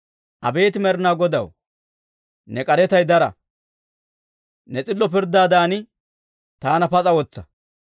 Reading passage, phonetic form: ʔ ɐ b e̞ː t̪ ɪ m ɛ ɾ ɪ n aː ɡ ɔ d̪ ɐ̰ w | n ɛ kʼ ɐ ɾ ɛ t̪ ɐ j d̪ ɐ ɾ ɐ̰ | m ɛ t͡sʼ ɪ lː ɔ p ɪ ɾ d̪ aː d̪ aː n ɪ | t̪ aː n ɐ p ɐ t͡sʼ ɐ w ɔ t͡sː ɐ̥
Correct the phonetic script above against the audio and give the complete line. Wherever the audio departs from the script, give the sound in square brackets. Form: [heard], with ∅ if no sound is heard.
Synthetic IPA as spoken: ʔ ɐ b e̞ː t̪ ɪ m ɛ ɾ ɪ n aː ɡ ɔ d̪ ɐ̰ w | n ɛ kʼ ɐ ɾ ɛ t̪ ɐ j d̪ ɐ ɾ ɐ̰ | [n] ɛ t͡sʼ ɪ lː ɔ p ɪ ɾ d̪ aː d̪ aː n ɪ | t̪ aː n ɐ p ɐ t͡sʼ ɐ w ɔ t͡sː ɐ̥